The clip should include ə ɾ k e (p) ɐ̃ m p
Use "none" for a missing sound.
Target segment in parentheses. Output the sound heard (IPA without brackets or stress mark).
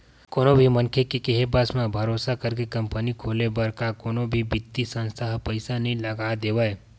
k